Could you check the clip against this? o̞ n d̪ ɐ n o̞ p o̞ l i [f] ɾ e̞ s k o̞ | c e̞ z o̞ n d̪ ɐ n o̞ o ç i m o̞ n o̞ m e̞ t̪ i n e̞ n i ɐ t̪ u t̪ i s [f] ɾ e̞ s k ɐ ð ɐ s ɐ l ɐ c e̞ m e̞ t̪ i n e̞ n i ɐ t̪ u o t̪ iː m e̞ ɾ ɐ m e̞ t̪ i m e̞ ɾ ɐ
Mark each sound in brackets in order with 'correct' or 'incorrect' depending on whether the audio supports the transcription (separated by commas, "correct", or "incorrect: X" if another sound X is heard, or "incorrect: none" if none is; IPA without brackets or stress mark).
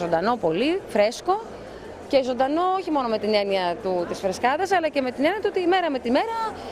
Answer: correct, correct